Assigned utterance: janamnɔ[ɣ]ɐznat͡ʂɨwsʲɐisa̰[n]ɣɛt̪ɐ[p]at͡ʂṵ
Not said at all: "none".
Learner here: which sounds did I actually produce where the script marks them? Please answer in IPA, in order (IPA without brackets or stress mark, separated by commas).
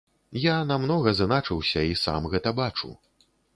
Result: ɣ, m, b